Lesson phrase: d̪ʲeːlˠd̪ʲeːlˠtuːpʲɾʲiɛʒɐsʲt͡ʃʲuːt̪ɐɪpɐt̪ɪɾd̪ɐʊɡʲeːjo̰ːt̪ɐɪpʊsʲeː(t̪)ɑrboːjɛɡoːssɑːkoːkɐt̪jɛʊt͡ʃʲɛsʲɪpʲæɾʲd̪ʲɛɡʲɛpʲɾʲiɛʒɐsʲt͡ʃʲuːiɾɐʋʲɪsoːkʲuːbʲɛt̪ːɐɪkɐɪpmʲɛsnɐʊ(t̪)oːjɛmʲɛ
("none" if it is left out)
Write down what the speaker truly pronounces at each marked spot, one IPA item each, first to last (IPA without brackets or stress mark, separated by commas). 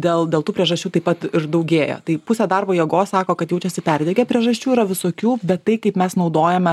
d̪, d̪